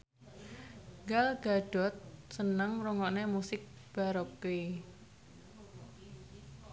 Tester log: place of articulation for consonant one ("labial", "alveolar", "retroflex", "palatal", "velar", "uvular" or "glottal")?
velar